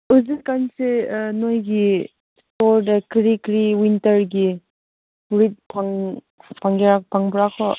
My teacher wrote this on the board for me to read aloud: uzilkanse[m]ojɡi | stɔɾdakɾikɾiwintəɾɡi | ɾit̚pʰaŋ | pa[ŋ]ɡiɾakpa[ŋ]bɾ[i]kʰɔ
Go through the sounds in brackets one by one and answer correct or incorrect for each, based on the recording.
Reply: incorrect, correct, correct, incorrect

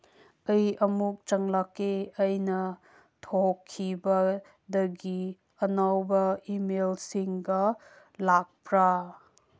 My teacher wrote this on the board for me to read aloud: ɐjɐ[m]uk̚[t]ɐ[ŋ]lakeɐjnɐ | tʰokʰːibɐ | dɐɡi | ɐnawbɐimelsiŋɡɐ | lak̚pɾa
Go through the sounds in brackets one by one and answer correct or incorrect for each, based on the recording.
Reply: correct, incorrect, correct

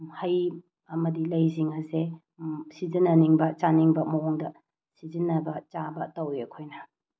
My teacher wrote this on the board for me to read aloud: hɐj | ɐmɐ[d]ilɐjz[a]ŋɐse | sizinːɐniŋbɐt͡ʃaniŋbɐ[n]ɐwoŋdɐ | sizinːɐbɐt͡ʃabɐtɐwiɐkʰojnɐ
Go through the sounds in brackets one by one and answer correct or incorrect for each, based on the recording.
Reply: correct, incorrect, incorrect

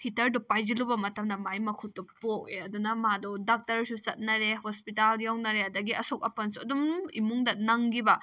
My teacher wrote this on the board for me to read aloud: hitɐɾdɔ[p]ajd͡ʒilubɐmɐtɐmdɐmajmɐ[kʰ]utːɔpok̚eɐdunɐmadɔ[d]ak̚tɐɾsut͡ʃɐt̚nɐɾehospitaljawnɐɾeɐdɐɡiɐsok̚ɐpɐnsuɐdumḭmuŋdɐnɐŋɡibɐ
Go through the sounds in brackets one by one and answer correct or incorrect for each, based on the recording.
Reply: correct, correct, correct

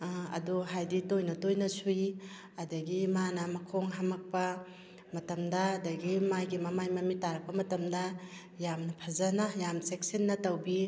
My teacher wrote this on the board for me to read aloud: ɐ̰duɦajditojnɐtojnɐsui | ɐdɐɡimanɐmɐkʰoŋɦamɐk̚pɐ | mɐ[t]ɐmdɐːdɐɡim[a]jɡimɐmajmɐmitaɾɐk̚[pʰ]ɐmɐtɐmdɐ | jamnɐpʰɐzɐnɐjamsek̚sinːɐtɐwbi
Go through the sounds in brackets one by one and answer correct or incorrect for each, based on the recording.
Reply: correct, correct, incorrect

